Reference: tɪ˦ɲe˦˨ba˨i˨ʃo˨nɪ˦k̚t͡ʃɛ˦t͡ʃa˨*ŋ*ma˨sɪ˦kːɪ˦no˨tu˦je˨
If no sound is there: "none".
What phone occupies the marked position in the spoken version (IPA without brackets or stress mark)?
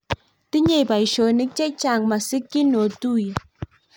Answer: ŋ